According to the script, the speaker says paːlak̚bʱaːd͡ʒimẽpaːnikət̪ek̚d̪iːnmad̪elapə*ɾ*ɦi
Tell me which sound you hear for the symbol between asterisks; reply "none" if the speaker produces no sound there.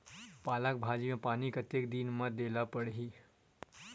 ɽ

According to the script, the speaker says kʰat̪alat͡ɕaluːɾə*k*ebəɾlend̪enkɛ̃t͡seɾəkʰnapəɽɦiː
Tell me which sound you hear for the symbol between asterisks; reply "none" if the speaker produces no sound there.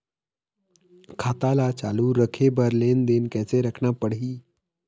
kʰ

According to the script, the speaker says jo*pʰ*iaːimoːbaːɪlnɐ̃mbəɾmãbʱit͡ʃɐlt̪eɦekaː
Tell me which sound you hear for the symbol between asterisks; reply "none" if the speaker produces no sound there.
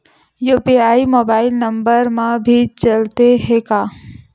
p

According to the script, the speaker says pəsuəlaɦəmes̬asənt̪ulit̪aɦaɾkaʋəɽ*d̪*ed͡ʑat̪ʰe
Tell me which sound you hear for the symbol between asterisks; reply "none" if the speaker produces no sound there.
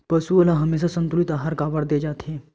d̪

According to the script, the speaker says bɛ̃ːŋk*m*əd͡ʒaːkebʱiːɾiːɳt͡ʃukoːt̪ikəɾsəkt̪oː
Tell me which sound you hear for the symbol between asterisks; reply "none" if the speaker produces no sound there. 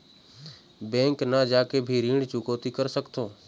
n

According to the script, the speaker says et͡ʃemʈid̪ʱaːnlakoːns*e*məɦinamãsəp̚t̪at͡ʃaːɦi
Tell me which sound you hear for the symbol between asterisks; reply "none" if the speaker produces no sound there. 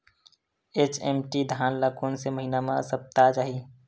e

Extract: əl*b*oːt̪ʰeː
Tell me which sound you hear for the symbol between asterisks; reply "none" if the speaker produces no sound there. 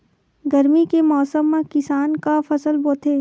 b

